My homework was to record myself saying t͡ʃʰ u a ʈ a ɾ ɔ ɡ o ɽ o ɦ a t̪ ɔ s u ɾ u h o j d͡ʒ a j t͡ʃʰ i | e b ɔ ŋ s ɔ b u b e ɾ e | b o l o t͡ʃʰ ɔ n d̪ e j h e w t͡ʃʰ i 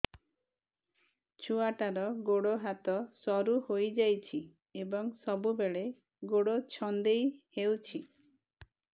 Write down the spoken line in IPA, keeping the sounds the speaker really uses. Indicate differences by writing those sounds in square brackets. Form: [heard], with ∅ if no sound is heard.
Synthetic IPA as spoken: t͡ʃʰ u a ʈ a ɾ ɔ ɡ o ɽ o ɦ a t̪ ɔ s [ɔ] ɾ u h o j d͡ʒ a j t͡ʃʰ i | e b ɔ ŋ s ɔ b u b e [ɭ] e | [ɡ] o [ɽ] o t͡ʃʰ ɔ n d̪ e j h e w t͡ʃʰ i